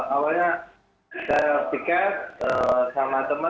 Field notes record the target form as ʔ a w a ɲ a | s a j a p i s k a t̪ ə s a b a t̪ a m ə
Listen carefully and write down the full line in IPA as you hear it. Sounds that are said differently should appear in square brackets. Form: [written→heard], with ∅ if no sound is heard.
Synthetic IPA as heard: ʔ a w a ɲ a | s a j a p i [s→∅] k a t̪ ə s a [b→m] a t̪ [a→ə] m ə

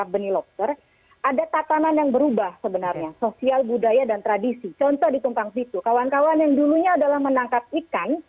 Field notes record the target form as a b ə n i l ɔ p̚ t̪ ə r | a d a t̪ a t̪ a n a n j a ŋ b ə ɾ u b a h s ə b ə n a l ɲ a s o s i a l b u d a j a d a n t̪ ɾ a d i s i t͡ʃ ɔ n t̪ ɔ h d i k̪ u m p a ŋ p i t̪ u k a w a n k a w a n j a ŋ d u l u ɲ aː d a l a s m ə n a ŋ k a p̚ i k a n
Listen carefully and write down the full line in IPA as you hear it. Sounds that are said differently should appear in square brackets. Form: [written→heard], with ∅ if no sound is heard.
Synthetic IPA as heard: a b ə n i l ɔ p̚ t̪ ə r | a d a t̪ a t̪ a n a n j a ŋ b ə ɾ u b a h s ə b ə n a [l→r] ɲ a s o s i a l b u d a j a d a n t̪ ɾ a d i s i t͡ʃ ɔ n t̪ ɔ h d i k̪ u m p a ŋ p i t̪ u k a w a n k a w a n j a ŋ d u l u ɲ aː d a l a [s→h] m ə n a ŋ k a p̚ i k a n

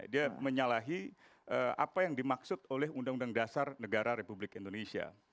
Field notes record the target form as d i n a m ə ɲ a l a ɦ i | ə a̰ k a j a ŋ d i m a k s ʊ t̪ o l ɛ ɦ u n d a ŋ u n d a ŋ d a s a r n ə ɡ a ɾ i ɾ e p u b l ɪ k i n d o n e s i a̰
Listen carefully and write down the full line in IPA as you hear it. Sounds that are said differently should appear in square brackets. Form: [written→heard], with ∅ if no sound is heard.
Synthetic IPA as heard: d i [n→∅] a m ə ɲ a l a ɦ i | ə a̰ [k→p] a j a ŋ d i m a k s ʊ t̪ o l ɛ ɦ u n d a ŋ u n d a ŋ d a s a r n ə ɡ a ɾ [i→a] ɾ e p u b l ɪ k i n d o n e s i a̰

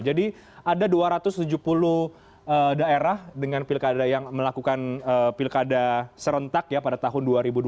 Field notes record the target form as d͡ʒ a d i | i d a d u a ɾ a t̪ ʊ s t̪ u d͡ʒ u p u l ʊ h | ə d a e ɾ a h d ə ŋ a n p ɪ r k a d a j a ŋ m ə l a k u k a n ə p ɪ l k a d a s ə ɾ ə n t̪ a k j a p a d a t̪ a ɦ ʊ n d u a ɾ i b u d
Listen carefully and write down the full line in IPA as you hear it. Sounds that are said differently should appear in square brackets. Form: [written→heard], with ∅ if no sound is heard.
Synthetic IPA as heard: d͡ʒ a d i | [i→a] d a d u a ɾ a t̪ ʊ s t̪ u d͡ʒ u p u l ʊ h | ə d a e ɾ a h d ə ŋ a n p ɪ [r→l] k a d a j a ŋ m ə l a k u k a n ə p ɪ l k a d a s ə ɾ ə n t̪ a k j a p a d a t̪ a ɦ ʊ n d u a ɾ i b u d

